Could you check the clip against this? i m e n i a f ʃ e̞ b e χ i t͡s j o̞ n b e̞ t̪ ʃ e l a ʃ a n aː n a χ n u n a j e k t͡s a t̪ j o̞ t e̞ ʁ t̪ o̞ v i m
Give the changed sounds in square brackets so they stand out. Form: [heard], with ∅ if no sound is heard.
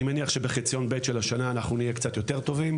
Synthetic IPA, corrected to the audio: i m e n i a [χ] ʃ e̞ b e χ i t͡s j o̞ n b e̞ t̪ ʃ e l a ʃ a n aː n a χ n u n [i] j e k t͡s a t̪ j o̞ t e̞ ʁ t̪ o̞ v i m